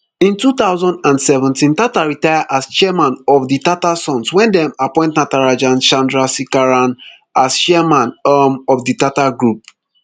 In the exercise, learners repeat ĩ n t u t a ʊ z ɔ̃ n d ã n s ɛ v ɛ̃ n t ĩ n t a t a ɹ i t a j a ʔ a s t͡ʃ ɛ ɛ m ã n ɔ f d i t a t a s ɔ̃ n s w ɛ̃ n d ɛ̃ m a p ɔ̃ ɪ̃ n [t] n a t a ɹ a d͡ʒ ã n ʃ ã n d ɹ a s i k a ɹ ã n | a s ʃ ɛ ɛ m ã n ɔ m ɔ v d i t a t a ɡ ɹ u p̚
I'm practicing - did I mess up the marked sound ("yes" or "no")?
no